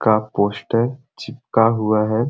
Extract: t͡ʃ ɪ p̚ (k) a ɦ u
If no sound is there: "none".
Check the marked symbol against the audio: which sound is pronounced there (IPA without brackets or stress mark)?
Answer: k